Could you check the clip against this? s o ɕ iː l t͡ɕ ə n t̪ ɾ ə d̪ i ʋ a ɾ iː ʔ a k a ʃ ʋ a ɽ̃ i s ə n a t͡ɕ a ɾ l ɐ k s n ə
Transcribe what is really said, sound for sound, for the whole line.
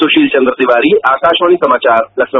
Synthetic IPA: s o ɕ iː l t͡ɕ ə n d̪ ɾ ə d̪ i ʋ a ɾ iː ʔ a k a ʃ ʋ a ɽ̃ i s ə m a t͡ɕ a ɾ l ɐ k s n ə